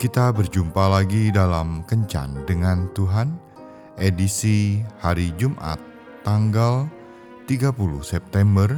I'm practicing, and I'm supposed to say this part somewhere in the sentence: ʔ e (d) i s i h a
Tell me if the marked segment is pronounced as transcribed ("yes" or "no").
yes